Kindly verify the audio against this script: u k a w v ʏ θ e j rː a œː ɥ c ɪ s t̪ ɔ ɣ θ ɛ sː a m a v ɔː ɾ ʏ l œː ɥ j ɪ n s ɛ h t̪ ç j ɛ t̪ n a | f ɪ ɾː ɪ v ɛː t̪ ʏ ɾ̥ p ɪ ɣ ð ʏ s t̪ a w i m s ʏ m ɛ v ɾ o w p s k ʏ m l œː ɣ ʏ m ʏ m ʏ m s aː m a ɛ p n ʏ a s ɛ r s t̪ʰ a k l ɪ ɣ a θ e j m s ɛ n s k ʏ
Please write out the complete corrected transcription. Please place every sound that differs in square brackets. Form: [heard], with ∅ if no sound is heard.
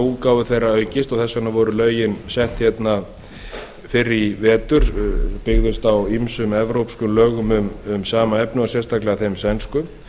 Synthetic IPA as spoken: u k a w v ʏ θ e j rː a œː ɥ c ɪ s t̪ ɔ ɣ θ ɛ sː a [n] a v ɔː ɾ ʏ l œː ɥ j ɪ n s ɛ h t̪ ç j ɛ t̪ n a | f ɪ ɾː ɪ v ɛː t̪ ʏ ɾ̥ p ɪ ɣ ð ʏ s t̪ a w i m s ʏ m ɛ v ɾ o w p s k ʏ m l œː ɣ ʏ m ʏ m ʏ m s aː m a ɛ p n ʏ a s ɛ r s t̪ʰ a k l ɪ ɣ a θ e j m s ɛ n s k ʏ

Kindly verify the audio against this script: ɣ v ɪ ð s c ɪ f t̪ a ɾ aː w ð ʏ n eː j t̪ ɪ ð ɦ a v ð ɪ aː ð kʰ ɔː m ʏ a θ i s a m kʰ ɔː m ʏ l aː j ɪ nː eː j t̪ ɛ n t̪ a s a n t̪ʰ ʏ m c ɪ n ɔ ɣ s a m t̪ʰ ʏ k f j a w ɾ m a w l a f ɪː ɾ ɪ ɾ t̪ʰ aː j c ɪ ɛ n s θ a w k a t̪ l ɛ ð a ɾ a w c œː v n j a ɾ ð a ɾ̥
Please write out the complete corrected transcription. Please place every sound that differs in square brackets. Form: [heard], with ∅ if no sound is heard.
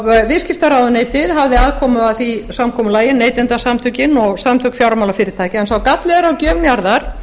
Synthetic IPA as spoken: ɣ v ɪ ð s c ɪ f t̪ a ɾ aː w ð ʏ n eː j t̪ ɪ ð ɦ a v ð ɪ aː ð kʰ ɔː m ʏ a θ i s a m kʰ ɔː m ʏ l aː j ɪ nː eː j t̪ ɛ n t̪ a s a [m] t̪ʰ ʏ [∅] c ɪ n ɔ ɣ s a m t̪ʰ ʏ k f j a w ɾ m a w l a f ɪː ɾ ɪ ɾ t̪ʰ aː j c ɪ ɛ n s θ a w k a t̪ l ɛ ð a ɾ a w c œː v n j a ɾ ð a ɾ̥

